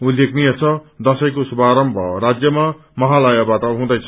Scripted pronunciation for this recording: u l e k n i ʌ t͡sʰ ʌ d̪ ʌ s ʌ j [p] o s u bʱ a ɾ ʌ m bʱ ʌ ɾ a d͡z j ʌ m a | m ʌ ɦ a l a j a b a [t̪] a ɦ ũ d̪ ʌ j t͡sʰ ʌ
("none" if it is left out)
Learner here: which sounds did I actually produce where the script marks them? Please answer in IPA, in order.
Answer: k, t̪

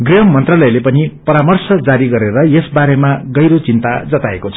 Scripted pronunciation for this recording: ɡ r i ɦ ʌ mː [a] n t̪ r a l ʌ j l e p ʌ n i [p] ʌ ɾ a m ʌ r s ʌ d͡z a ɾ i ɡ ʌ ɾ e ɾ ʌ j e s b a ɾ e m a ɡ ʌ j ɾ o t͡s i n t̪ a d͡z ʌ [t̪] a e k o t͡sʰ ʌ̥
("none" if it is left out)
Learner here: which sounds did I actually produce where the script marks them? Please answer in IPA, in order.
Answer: ʌ, p, t̪

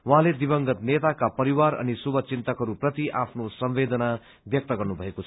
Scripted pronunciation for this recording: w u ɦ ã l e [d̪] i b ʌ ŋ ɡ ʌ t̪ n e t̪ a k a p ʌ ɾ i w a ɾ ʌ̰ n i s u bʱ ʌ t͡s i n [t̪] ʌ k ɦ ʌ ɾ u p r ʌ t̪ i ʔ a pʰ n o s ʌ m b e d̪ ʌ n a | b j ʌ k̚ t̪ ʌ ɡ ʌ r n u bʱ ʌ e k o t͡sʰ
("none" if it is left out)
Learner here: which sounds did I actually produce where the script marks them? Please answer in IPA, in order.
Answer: d̪, t̪

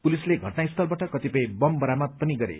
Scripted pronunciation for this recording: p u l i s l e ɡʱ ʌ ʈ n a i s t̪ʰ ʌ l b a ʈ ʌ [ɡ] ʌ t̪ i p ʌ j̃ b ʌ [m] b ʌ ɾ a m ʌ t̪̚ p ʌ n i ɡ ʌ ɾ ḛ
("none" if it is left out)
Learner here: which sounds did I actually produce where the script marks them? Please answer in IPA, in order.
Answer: k, m

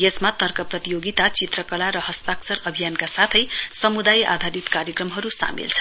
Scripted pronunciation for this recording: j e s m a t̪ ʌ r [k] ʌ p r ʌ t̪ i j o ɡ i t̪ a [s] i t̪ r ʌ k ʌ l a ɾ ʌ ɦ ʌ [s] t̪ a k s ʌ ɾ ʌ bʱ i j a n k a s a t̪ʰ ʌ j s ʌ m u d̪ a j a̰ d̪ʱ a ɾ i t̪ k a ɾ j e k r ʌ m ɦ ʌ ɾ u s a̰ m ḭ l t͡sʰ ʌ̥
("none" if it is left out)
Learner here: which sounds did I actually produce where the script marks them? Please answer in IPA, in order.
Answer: k, t͡s, s

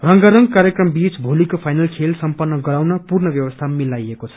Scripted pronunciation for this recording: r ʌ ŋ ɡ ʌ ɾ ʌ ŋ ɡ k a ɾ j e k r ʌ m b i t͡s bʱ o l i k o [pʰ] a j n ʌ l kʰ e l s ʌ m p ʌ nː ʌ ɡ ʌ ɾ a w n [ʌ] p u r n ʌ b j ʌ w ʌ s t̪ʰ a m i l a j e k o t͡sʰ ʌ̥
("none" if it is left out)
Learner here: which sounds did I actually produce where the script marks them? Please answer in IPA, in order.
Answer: pʰ, ʌ

